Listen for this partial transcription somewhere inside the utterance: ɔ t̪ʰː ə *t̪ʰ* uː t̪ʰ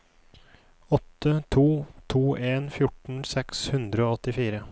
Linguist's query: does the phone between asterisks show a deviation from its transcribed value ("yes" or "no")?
no